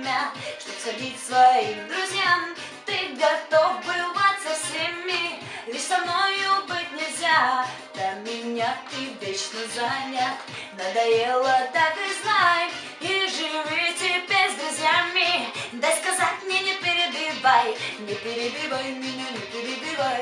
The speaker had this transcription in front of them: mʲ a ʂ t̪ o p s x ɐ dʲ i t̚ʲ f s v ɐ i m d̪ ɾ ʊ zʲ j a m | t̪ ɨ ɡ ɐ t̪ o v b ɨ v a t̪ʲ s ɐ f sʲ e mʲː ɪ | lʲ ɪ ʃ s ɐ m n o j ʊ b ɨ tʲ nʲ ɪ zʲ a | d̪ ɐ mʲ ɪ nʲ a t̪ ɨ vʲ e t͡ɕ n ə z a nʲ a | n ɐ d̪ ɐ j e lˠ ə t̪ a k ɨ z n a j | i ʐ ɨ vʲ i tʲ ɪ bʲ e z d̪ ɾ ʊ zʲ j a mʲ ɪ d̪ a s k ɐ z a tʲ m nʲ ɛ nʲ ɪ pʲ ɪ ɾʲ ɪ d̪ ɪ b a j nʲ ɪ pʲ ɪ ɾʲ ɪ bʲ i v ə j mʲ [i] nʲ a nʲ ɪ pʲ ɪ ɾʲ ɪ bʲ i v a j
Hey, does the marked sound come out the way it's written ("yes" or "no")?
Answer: no